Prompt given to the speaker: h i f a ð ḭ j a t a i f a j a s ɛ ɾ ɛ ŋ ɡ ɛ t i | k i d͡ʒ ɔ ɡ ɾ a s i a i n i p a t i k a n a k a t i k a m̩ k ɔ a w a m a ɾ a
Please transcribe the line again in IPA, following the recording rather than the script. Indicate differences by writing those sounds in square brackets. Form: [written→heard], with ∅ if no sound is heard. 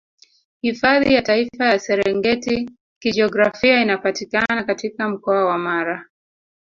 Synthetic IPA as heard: h i f a ð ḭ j a t a i f a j a s ɛ ɾ ɛ ŋ ɡ ɛ t i | k i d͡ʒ ɔ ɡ ɾ a [s→f] i a i n [i→a] p a t i k a n a k a t i k a m̩ k ɔ a w a m a ɾ a